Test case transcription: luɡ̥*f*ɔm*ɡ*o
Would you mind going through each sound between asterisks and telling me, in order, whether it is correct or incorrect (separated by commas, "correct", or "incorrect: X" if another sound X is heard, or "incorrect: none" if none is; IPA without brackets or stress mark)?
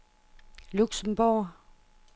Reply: incorrect: s, incorrect: b